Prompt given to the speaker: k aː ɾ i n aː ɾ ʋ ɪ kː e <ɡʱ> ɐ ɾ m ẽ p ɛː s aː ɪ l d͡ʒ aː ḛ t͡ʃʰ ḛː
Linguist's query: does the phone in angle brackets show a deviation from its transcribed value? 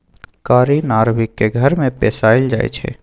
no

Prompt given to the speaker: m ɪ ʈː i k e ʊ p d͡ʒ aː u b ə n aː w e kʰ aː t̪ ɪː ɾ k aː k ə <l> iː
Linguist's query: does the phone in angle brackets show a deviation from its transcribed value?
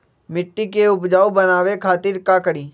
yes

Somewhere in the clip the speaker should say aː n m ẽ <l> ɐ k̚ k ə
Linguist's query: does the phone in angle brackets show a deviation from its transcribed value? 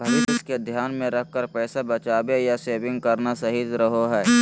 yes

